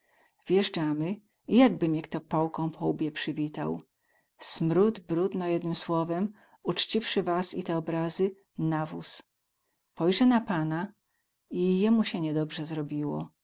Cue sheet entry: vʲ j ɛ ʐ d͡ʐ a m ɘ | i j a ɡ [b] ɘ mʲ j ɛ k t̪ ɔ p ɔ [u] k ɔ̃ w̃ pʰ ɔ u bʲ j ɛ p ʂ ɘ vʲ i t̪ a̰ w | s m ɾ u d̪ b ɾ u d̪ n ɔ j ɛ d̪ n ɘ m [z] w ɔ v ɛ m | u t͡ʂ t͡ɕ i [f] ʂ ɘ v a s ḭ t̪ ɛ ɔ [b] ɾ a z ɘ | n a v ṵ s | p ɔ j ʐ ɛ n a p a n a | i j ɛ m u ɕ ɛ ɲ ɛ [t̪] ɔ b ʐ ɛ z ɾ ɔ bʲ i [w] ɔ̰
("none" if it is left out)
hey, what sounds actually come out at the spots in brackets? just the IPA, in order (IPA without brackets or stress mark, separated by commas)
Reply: b, w, s, f, b, d̪, w